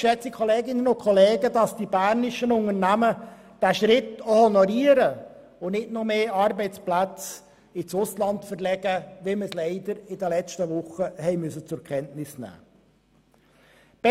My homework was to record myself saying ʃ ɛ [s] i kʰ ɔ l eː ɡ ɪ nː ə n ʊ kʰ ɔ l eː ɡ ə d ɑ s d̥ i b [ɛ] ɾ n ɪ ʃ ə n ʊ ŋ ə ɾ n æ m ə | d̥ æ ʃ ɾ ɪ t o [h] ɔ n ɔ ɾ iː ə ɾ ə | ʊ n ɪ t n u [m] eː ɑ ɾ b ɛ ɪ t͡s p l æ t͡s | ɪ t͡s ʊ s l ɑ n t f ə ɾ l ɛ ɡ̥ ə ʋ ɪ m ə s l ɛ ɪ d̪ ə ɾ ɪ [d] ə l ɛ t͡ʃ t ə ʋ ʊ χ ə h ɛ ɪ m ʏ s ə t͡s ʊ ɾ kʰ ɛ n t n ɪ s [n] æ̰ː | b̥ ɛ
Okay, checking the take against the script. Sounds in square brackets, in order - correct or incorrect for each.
incorrect, incorrect, correct, correct, correct, correct

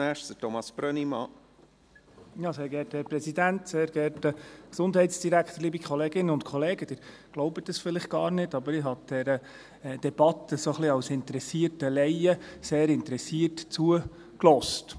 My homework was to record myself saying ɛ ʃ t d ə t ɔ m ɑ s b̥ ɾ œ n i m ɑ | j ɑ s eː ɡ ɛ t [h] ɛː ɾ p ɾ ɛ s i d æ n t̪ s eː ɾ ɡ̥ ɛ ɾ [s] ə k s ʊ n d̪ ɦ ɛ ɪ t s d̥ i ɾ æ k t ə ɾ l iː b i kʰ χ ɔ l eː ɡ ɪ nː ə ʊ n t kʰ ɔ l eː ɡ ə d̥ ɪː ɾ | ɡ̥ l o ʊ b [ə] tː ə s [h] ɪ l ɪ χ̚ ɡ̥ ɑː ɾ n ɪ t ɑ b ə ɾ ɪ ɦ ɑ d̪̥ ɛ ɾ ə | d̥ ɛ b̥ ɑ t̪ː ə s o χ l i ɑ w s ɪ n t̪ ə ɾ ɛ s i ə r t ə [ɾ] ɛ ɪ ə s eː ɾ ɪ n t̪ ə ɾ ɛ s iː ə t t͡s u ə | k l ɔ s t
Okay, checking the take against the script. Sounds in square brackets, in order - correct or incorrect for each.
correct, incorrect, correct, incorrect, incorrect

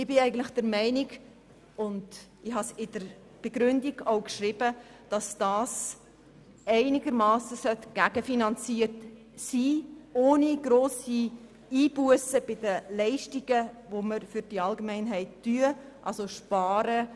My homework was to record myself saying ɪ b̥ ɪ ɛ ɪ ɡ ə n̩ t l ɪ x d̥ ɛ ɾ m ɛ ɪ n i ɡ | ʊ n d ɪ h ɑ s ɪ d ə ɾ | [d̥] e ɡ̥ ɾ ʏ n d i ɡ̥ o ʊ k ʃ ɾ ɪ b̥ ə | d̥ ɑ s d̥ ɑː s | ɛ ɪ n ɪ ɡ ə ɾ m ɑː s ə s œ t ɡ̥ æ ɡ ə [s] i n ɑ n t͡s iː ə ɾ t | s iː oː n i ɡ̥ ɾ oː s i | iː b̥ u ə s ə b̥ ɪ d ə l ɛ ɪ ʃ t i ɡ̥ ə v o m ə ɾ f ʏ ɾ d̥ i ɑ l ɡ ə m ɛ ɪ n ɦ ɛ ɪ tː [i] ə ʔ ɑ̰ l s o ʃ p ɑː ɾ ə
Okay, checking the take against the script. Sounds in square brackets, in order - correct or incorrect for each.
incorrect, incorrect, incorrect

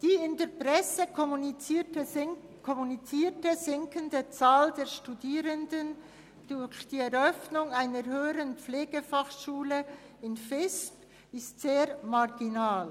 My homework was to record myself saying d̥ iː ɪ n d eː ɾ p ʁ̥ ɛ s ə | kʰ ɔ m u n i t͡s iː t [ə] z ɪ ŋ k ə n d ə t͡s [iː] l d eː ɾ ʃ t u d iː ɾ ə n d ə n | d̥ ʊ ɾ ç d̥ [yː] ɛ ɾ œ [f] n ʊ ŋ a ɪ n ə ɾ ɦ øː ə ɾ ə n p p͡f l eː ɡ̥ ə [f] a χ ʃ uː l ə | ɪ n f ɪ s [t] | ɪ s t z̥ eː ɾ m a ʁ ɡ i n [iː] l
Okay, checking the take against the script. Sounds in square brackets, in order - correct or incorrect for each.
correct, incorrect, incorrect, correct, correct, incorrect, incorrect

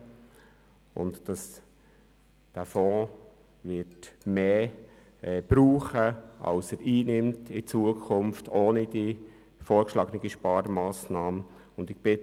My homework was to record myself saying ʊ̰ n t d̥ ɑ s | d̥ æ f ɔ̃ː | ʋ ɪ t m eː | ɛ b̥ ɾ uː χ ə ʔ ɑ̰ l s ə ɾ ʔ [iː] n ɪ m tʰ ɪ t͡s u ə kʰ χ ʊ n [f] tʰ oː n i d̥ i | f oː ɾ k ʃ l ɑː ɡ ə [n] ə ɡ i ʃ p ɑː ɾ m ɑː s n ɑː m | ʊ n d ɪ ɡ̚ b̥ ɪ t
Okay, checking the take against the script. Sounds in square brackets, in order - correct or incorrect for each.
correct, correct, correct

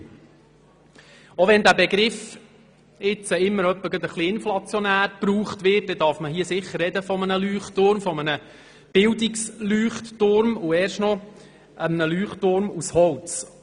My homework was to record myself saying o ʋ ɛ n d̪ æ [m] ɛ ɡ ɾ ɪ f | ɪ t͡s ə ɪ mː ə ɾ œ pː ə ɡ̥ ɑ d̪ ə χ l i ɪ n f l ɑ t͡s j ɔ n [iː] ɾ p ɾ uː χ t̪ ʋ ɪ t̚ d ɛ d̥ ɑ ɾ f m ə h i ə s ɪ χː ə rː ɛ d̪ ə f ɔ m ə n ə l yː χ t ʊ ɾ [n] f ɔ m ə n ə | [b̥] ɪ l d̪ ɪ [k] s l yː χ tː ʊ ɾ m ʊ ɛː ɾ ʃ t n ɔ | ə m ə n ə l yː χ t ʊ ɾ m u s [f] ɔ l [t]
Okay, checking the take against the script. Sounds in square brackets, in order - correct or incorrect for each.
incorrect, incorrect, incorrect, correct, correct, incorrect, incorrect

